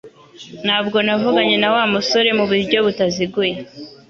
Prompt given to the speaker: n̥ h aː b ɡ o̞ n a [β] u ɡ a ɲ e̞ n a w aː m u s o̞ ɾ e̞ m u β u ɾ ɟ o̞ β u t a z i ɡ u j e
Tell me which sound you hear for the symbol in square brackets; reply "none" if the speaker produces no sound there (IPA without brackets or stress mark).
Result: v